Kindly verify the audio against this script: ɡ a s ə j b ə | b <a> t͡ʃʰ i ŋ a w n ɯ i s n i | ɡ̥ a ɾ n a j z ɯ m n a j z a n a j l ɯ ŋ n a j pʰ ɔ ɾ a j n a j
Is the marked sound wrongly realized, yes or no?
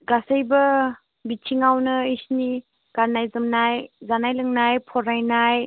yes